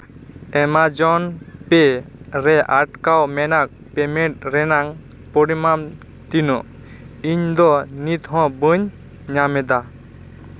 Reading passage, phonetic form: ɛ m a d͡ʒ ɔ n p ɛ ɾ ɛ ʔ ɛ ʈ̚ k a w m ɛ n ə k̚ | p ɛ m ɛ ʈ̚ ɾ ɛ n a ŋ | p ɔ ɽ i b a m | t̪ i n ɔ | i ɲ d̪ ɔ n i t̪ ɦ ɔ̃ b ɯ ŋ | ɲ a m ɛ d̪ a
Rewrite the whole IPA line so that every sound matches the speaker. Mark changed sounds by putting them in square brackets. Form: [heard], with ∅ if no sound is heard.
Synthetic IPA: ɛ m a d͡ʒ ɔ n p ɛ ɾ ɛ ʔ [a] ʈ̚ k a w m ɛ n [a] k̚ | p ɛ m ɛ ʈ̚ ɾ ɛ n a ŋ | p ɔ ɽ i [m] a m | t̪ i n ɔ | i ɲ d̪ ɔ n i t̪ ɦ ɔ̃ b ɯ [ɲ] | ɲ a m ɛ d̪ a